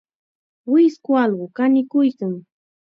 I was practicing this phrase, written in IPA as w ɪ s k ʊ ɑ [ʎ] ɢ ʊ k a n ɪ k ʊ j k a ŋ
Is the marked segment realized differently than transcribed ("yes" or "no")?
yes